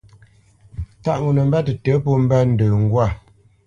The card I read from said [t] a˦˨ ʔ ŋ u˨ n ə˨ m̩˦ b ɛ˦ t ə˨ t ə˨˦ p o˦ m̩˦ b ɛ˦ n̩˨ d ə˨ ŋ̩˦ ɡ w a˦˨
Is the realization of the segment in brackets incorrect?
no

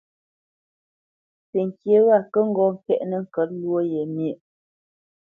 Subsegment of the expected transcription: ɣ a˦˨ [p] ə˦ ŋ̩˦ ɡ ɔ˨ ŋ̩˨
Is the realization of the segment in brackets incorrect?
yes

